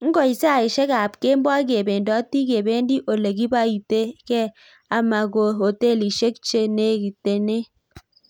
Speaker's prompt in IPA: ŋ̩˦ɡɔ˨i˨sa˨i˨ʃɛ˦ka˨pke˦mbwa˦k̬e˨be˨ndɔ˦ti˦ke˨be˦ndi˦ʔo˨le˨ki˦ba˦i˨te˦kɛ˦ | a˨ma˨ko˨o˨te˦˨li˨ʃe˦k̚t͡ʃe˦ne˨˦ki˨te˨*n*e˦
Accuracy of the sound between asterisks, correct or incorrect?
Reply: correct